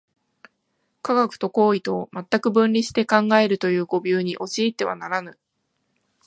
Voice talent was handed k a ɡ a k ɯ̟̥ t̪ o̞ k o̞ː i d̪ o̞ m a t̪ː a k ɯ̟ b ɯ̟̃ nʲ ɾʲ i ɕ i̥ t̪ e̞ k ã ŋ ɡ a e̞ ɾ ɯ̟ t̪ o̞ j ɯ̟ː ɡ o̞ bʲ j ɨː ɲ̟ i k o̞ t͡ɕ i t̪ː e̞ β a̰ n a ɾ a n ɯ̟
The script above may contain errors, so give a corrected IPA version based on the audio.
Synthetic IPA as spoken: k a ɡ a k ɯ̟̥ t̪ o̞ k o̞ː i t̪ o̞ m a t̪ː a k ɯ̟ b ɯ̟̃ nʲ ɾʲ i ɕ i̥ t̪ e̞ k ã ŋ ɡ a e̞ ɾ ɯ̟ t̪ o̞ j ɯ̟ː ɡ o̞ bʲ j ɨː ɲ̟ i ʔ o̞ t͡ɕ iː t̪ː e̞ β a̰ n a ɾ a n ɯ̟